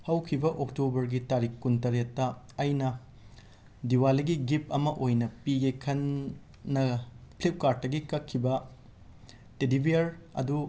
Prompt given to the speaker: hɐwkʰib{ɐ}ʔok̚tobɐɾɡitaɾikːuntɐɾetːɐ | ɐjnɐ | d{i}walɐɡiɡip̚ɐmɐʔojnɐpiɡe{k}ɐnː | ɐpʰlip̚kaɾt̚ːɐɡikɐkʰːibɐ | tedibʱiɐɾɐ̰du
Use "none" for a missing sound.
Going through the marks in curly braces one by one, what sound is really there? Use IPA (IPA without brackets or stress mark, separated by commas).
ɐ, i, kʰ